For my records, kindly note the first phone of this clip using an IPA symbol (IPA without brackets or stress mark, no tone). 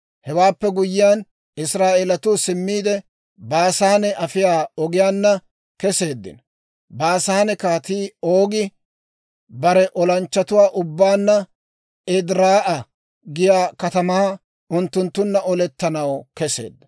h